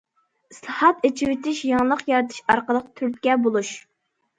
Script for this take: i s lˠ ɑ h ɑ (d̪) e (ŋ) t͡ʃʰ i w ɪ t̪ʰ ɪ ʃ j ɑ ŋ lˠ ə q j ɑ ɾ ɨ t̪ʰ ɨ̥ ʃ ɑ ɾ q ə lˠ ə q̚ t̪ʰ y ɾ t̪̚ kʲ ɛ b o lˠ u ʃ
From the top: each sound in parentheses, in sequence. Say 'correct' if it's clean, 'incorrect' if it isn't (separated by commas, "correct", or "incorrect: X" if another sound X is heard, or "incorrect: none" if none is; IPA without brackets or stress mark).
incorrect: t̪, incorrect: none